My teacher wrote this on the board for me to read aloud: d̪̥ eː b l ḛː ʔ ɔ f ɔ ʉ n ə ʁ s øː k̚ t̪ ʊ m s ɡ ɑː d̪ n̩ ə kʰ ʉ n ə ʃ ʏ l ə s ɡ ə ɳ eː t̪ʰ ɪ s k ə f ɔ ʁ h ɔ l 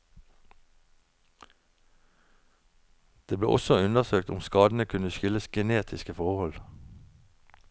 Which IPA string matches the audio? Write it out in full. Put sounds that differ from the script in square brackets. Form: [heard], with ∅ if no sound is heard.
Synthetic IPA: d̪̥ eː b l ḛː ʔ ɔ [s] ɔ ʉ n ə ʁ s øː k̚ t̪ ʊ m s [k] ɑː d̪ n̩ ə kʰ ʉ n ə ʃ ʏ l ə s ɡ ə [n] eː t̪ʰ ɪ s k ə f ɔ ʁ h ɔ l